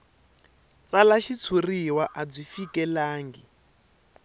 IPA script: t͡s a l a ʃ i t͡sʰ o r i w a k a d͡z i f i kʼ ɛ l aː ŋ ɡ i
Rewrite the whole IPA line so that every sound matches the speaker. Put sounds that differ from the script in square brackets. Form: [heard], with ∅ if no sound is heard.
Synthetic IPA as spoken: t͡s a l a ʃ i t͡sʰ [u] r i w a [ʔ] a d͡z i f i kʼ ɛ l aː ŋ ɡ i